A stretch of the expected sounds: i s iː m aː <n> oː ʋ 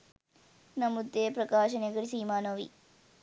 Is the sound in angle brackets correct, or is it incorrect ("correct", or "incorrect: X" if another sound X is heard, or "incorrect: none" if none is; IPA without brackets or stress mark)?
correct